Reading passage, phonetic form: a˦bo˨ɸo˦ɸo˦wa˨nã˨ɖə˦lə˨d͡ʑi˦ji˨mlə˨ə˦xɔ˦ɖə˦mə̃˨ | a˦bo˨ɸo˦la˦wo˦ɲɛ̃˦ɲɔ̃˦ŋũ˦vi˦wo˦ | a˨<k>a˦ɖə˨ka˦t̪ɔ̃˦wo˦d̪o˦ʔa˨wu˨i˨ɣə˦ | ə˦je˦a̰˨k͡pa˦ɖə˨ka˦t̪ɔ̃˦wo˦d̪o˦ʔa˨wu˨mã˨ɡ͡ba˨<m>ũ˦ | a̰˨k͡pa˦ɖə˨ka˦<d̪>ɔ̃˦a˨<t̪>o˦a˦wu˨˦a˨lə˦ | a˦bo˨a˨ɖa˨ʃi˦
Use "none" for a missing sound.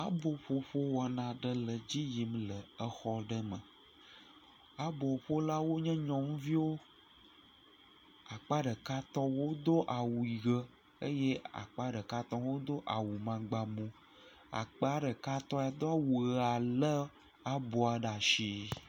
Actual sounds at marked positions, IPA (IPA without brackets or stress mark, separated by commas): k͡p, m, t̪, d̪